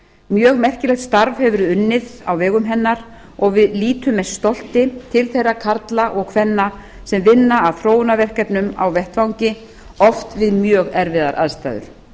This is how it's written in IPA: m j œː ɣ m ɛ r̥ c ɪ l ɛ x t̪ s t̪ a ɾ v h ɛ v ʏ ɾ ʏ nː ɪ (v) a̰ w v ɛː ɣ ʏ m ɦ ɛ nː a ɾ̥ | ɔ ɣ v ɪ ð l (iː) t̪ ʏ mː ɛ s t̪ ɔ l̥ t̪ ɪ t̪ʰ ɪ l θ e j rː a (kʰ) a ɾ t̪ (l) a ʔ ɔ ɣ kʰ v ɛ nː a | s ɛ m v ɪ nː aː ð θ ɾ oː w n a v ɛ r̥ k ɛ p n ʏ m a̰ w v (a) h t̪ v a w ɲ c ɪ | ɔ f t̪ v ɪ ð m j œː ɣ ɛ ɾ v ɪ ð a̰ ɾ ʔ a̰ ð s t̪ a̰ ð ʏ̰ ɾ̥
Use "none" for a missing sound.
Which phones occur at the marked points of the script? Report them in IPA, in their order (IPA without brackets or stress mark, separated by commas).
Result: ð, iː, kʰ, l, ɛ